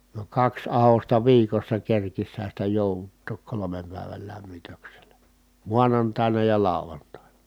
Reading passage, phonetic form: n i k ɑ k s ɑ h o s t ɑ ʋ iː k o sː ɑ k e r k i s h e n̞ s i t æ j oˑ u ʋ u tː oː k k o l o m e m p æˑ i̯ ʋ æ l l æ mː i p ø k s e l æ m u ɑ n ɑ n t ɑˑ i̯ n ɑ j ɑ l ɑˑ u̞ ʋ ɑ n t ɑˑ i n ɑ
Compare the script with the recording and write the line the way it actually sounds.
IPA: n i k ɑ k s ɑ h o s t ɑ ʋ iː k o sː ɑ k e r k i s h æ n̞ s i t æ j oˑ u ʋ u tː oː k k o l o m e m p æˑ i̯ ʋ æ l l æ mː i t ø k s e l æ m u ɑ n ɑ n t ɑˑ i̯ n ɑ j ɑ l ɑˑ u̞ ʋ ɑ n t ɑˑ i n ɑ